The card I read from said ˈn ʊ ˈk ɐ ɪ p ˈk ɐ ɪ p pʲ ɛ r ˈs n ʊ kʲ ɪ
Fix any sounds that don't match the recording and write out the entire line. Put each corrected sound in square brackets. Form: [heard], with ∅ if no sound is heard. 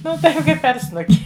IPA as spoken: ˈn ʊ [ˈt] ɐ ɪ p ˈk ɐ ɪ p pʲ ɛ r ˈs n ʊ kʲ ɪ